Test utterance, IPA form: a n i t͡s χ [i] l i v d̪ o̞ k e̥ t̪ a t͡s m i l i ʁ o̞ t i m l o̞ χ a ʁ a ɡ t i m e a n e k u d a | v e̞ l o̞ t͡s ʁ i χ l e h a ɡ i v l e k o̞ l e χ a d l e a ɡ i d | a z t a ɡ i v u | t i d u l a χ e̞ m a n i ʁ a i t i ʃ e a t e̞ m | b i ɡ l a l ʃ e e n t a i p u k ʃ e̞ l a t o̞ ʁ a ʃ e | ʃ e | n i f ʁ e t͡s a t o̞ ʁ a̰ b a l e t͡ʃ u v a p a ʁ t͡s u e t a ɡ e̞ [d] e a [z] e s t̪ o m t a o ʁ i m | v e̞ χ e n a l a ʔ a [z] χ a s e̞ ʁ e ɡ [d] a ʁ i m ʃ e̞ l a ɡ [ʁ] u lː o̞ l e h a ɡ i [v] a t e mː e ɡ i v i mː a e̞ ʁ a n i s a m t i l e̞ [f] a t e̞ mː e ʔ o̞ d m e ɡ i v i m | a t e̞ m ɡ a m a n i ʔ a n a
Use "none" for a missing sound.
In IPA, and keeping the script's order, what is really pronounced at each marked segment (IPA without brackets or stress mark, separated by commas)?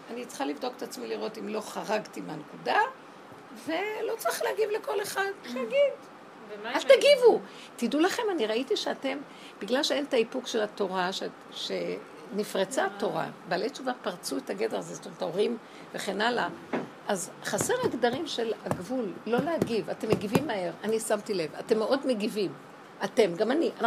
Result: a, d, z, z, d, v, v, v